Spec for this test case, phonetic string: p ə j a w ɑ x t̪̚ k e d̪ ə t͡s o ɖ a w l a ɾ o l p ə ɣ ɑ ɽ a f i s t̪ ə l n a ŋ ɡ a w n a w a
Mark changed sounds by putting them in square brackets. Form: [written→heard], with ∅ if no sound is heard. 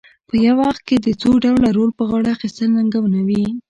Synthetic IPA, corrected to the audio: p ə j a w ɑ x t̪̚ k e d̪ ə t͡s o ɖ a w l a ɾ o l p ə ɣ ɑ ɽ a [f→x] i s t̪ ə l n a ŋ ɡ a w n a w [a→i]